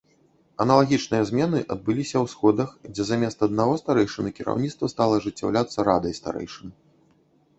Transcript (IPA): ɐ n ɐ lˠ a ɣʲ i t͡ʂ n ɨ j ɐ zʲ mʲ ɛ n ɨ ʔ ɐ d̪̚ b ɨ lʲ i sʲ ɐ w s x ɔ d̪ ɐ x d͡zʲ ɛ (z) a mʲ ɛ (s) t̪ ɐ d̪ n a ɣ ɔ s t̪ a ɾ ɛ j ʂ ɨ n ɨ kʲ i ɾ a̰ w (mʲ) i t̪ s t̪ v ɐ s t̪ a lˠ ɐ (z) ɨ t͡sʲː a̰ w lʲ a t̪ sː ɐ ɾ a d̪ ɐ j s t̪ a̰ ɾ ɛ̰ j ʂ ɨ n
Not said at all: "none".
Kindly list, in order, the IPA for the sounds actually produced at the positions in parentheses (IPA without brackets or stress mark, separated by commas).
z, s, nʲ, ʐ